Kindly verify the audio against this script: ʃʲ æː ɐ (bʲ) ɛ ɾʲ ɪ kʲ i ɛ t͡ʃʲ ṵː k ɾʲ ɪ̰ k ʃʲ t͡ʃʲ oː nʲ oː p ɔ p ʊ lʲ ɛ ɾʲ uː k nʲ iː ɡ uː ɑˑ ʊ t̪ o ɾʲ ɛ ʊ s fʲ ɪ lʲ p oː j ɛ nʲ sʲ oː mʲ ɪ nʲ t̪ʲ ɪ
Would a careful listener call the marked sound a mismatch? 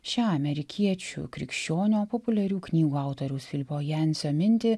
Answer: yes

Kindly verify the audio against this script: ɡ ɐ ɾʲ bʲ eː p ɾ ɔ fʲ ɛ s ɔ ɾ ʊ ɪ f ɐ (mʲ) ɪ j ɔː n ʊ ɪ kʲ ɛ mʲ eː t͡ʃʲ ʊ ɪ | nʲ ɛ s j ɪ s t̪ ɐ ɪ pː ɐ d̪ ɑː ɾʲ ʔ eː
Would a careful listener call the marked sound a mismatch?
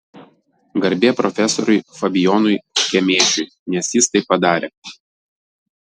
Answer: yes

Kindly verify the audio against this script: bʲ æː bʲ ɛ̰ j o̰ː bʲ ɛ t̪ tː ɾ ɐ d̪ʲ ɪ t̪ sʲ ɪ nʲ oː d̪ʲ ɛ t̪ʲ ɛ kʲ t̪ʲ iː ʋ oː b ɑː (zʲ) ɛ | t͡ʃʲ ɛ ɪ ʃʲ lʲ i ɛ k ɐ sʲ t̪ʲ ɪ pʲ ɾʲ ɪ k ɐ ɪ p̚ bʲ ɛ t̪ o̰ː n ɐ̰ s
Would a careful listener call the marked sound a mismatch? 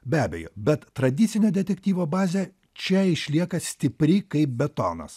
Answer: no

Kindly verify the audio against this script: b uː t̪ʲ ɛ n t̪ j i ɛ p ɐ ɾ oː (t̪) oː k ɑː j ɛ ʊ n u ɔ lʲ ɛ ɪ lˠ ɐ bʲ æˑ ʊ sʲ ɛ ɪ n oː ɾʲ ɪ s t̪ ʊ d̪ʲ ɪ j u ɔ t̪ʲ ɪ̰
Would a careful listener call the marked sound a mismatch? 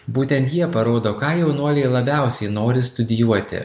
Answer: yes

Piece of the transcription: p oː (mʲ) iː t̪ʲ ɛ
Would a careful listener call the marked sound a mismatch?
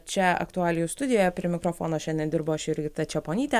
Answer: yes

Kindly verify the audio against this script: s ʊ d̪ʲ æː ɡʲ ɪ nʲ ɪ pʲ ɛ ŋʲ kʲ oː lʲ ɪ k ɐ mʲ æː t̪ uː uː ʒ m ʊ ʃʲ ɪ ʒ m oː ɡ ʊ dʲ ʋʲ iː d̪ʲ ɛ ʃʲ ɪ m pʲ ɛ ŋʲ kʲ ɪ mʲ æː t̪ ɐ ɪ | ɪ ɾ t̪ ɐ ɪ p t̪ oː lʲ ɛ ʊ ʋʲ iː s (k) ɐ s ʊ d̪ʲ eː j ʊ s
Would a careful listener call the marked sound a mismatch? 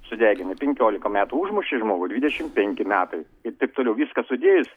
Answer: no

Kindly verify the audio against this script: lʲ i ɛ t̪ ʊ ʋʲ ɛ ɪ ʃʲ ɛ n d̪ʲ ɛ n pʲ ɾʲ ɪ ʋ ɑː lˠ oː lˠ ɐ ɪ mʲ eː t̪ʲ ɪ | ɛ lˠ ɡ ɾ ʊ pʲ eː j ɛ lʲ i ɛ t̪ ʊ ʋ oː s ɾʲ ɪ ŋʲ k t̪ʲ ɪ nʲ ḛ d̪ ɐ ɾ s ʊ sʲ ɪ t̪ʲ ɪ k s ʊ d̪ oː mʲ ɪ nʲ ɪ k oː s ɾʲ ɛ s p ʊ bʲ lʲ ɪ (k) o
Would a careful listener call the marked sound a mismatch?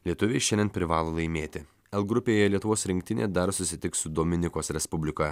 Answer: no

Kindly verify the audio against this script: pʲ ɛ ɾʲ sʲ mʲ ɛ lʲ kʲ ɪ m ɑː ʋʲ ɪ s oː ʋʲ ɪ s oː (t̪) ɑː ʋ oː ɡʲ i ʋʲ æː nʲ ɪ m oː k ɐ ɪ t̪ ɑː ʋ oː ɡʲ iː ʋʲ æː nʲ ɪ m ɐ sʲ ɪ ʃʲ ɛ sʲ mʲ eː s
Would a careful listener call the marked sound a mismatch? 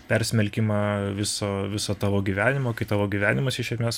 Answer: no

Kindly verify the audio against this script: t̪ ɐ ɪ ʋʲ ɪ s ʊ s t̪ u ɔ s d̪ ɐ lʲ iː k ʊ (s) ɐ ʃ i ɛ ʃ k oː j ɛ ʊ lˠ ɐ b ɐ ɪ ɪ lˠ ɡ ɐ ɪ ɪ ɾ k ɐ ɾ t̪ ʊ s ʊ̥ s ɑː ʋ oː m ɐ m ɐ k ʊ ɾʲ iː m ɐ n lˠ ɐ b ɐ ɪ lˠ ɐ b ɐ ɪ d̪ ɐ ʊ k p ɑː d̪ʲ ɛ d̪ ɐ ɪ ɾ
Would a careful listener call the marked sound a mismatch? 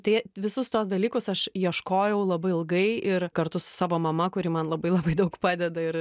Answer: no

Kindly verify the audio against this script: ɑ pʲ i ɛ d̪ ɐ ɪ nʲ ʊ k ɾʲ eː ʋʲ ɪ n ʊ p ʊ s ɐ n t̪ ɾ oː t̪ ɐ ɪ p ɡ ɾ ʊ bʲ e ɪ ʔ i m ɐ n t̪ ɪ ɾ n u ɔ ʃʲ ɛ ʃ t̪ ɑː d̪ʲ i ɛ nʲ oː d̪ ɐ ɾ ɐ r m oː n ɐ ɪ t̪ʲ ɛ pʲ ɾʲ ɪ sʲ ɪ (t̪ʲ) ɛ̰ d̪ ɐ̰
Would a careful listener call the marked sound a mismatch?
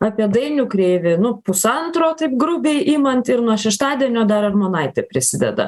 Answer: yes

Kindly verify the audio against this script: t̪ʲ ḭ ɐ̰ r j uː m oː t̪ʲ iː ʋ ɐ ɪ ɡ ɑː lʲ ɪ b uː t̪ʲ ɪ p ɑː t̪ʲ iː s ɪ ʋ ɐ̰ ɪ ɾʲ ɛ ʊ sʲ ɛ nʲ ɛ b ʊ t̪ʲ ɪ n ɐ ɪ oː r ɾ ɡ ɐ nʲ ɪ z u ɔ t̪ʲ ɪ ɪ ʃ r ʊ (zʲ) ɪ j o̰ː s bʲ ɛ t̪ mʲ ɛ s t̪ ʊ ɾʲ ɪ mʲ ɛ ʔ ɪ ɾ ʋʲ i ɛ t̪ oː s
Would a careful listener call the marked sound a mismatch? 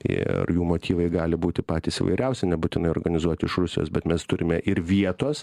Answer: yes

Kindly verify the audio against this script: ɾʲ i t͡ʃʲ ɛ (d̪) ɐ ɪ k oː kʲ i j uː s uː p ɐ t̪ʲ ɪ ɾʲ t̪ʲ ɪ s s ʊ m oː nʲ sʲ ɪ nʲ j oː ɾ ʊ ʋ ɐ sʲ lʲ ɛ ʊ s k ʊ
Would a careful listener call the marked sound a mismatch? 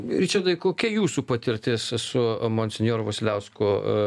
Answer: no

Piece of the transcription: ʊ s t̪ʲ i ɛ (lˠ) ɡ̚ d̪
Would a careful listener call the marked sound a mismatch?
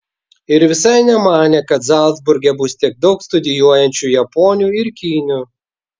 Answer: yes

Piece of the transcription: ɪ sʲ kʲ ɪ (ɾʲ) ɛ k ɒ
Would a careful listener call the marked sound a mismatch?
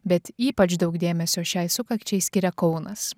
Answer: no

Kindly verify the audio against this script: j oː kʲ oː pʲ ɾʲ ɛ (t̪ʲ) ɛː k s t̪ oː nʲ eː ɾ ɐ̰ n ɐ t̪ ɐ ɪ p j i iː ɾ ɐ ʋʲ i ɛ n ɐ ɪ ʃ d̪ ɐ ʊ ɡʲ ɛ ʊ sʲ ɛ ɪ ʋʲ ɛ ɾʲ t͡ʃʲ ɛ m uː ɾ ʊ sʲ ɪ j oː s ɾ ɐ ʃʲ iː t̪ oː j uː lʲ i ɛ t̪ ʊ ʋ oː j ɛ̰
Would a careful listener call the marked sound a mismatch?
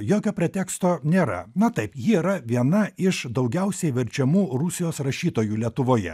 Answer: no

